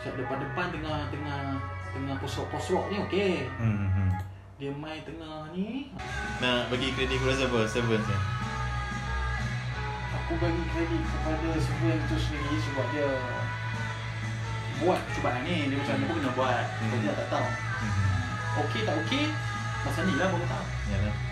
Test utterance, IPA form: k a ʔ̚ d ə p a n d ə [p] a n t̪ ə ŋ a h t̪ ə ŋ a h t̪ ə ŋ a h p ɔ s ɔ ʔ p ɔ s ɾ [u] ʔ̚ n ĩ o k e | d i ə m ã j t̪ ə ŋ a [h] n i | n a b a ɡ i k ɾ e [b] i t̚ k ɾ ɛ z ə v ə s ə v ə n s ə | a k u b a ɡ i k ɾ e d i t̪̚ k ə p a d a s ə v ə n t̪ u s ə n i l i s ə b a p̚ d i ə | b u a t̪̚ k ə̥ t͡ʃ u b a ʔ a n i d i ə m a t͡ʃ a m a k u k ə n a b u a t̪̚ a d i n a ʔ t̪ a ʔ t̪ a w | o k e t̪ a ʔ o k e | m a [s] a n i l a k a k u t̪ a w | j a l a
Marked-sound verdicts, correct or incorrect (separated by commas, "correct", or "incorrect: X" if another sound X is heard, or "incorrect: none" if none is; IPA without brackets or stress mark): correct, incorrect: ɔ, correct, incorrect: d, correct